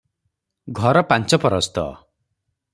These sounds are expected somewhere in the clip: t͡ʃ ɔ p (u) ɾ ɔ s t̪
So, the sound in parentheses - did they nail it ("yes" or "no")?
no